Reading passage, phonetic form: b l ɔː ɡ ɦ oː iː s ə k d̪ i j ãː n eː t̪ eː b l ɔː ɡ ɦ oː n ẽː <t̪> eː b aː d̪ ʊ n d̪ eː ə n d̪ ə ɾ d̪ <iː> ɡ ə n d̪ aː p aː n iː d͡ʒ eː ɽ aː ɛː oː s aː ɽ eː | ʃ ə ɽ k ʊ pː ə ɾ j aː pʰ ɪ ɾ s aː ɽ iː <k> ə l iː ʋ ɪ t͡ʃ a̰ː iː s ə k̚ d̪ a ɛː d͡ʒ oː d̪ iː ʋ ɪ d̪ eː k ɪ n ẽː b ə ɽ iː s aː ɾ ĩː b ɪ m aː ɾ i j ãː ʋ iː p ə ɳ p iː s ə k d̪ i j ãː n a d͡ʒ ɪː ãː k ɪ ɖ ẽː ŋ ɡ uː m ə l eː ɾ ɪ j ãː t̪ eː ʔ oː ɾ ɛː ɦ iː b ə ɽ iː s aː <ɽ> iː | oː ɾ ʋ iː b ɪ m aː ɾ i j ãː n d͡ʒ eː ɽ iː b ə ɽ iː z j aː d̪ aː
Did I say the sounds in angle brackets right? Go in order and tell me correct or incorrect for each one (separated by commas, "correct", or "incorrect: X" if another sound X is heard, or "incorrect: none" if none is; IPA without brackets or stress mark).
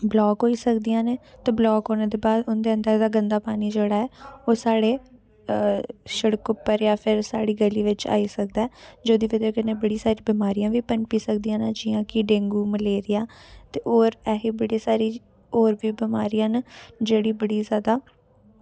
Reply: incorrect: d̪, incorrect: aː, incorrect: ɡ, incorrect: ɾ